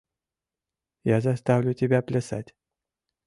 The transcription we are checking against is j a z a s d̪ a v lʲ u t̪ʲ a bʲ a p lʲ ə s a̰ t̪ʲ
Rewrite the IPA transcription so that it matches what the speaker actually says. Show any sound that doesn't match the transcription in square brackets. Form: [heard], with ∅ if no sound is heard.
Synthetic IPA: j a z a s [t̪] a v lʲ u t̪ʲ [e] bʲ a p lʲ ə s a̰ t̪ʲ